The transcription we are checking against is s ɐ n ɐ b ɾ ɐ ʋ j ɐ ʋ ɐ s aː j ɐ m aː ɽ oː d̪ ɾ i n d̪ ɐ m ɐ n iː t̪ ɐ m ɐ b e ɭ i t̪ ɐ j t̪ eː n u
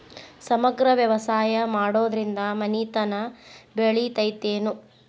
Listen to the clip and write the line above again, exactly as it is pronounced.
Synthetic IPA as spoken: s ɐ m ɐ ɡ ɾ ɐ ʋ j ɐ ʋ ɐ s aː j ɐ m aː ɽ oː d̪ ɾ i n d̪ ɐ m ɐ n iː t̪ ɐ n ɐ b e ɭ i t̪ ɐ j t̪ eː n u

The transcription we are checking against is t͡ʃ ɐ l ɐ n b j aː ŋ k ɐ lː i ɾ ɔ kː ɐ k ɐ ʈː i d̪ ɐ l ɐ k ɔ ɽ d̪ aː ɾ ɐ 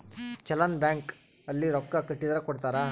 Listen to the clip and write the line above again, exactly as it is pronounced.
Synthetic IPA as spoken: t͡ʃ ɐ l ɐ n b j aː ŋ k ɐ lː i ɾ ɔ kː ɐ k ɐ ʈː i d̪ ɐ ɾ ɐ k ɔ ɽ t̪ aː ɾ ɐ

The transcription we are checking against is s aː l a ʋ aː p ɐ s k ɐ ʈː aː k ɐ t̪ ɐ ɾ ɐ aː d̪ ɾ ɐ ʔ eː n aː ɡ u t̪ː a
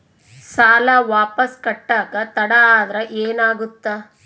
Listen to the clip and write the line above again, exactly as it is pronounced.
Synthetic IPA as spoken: s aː l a ʋ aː p ɐ s k ɐ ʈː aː k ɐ t̪ ɐ ɽ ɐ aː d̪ ɾ ɐ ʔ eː n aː ɡ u t̪ː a

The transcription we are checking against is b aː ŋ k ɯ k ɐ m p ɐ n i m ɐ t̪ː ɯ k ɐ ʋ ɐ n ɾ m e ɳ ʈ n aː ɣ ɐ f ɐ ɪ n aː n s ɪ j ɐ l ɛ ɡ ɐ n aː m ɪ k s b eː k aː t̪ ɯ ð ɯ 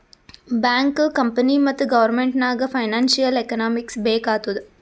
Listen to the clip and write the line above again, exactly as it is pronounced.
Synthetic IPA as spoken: b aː ŋ k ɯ k ɐ m p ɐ n i m ɐ t̪ː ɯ ɡ ɐ ʋ ɐ ɾ m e ɳ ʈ n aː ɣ ɐ f ɐ ɪ n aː n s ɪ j ɐ l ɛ k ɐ n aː m ɪ k s b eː k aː t̪ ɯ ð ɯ

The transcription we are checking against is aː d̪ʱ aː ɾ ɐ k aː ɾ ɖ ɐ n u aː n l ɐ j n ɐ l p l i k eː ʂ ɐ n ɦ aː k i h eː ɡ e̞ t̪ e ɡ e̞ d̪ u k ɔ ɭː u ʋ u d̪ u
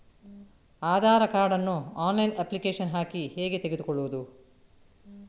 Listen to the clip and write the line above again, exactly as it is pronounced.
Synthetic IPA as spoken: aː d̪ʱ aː ɾ ɐ k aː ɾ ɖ ɐ nː u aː n l ɐ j n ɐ p l i k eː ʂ ɐ n ɦ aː k i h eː ɡ e̞ t̪ e ɡ e̞ d̪ u k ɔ ɭː u ʋ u d̪ u

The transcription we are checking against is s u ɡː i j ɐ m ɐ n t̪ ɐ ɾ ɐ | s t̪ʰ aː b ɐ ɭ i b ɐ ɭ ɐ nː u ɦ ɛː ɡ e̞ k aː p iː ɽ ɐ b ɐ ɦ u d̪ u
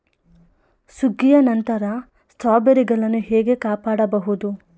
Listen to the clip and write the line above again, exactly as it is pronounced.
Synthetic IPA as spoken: s u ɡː i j ɐ n ɐ n t̪ ɐ ɾ ɐ | s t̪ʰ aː b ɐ ɾ i ɡ ɐ ɭ ɐ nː u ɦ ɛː ɡ e̞ k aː p aː ɽ ɐ b ɐ ɦ u d̪ u

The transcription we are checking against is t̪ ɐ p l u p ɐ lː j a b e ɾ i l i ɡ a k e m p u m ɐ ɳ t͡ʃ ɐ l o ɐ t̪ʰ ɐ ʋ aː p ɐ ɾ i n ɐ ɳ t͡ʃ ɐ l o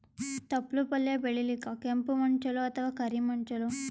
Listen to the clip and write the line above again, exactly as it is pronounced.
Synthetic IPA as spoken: t̪ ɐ p l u p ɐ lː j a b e ɭ i l i k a k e m p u m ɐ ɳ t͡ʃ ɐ l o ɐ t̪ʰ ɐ ʋ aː k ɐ ɾ i m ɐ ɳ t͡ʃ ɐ l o

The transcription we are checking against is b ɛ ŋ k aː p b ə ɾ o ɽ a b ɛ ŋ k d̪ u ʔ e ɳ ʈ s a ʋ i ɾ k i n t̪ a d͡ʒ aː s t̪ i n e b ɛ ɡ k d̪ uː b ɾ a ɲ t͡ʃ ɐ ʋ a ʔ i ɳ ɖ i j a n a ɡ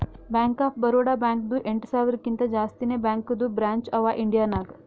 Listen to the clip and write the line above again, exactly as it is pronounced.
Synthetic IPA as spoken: b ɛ ŋ k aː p b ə ɾ o ɽ a b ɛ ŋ k d̪ u ʔ e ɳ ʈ s a ʋ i ɾ k i n t̪ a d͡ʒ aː s t̪ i n e b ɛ ŋ k d̪ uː b ɾ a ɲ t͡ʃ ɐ ʋ a ʔ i ɳ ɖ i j a n a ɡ

